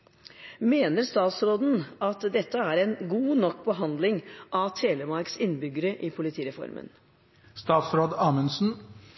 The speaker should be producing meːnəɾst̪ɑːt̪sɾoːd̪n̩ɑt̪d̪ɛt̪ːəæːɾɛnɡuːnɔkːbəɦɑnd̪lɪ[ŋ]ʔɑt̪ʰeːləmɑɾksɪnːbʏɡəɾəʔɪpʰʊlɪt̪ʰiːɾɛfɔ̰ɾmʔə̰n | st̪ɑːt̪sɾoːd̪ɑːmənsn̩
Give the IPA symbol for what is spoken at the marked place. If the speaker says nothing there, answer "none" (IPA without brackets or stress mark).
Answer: ŋ